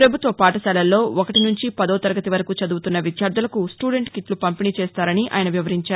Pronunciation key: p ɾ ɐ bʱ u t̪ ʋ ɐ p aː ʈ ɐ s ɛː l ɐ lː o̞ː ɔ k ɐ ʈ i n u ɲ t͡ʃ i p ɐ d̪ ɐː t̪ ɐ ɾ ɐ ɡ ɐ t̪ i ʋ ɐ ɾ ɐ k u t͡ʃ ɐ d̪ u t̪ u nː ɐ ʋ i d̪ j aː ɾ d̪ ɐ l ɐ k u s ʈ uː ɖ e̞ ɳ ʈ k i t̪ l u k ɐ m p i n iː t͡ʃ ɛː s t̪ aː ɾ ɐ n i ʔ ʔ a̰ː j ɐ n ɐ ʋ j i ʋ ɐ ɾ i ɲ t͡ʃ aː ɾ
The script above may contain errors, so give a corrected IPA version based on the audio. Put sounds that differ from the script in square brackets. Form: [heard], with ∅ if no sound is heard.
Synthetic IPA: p ɾ ɐ bʱ u t̪ ʋ ɐ p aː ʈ ɐ s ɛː l ɐ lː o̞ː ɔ k ɐ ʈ i n u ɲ t͡ʃ i p ɐ d̪ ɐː t̪ ɐ ɾ ɐ ɡ ɐ t̪ i ʋ ɐ ɾ ɐ k u t͡ʃ ɐ d̪ [uː] t̪ u nː ɐ ʋ i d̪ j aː ɾ d̪ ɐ l ɐ k u s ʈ uː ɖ e̞ ɳ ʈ k i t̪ l u [p] ɐ m p i n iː t͡ʃ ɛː s t̪ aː ɾ ɐ n i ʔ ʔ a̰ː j ɐ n ɐ ʋ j i ʋ ɐ ɾ i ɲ t͡ʃ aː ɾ